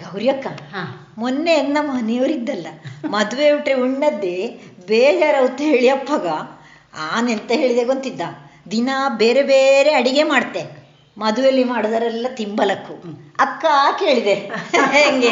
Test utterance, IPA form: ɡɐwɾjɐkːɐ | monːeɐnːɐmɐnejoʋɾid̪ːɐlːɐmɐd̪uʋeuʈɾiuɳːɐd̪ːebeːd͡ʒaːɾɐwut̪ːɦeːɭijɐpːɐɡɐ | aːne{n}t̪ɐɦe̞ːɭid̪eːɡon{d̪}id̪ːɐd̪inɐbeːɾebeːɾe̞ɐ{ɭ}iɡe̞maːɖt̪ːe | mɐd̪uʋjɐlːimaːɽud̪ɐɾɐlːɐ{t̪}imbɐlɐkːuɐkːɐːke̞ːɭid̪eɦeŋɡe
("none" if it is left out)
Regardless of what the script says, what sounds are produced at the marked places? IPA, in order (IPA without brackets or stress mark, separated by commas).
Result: n, t̪, ɽ, t̪